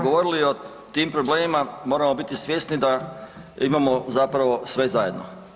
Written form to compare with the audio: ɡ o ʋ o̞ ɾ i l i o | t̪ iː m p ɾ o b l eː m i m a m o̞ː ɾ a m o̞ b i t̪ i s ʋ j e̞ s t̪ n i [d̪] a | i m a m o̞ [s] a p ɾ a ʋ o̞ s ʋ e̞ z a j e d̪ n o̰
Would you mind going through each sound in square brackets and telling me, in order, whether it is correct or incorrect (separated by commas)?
correct, incorrect